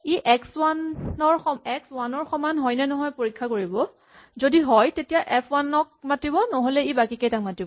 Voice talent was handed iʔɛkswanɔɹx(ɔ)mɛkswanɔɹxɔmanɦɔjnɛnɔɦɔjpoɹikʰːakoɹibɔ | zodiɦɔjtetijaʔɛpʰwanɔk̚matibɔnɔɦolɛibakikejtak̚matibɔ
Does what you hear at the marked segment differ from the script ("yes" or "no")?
no